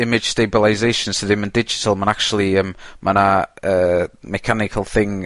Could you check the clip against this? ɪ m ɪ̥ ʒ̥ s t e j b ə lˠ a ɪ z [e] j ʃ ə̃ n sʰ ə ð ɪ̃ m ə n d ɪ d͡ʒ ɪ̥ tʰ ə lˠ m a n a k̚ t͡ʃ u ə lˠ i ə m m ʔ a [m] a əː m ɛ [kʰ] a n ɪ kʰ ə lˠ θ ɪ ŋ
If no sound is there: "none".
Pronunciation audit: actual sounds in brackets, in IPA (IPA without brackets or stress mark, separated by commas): e, n, kʰ